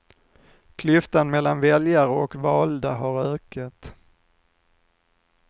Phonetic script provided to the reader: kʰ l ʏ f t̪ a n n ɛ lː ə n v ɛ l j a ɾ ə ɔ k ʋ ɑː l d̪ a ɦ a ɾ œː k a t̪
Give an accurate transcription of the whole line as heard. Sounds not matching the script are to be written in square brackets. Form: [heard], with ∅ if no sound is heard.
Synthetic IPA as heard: kʰ l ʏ f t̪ a n [m] ɛ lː [a] n v ɛ l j a ɾ ə ɔ k [v] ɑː l d̪ a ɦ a ɾ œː k a t̪